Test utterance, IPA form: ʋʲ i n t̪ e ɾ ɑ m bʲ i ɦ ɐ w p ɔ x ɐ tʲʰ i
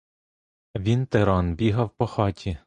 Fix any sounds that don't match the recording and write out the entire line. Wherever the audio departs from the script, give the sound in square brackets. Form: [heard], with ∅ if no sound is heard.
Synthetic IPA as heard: ʋʲ i n t̪ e ɾ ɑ [n] bʲ i ɦ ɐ w p ɔ x [ɑ] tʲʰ i